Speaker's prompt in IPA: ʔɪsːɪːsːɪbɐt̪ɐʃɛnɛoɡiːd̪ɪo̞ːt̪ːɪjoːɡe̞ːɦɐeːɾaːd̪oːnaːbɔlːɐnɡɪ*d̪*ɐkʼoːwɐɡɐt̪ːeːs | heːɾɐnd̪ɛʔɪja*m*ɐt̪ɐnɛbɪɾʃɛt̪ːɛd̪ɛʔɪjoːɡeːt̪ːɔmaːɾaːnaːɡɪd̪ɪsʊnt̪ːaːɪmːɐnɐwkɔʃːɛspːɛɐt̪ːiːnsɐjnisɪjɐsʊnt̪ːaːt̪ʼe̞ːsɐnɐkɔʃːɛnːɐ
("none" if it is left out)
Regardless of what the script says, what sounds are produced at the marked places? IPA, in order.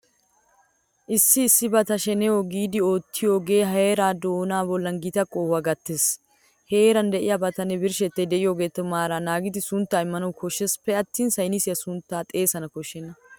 t̪, b

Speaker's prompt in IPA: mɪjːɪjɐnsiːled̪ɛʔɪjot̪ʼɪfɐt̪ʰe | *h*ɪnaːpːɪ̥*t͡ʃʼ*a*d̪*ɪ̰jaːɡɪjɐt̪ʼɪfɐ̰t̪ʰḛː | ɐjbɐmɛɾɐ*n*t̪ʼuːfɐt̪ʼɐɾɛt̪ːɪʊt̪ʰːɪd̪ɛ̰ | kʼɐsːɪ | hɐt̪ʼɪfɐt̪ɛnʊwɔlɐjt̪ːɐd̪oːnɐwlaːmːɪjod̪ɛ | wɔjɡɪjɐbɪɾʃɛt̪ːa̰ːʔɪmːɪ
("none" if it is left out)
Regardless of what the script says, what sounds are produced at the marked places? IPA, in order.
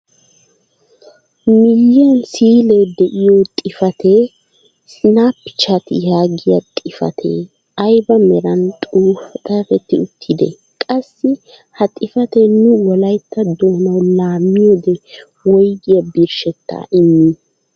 s, t͡ʃ, t̪, n

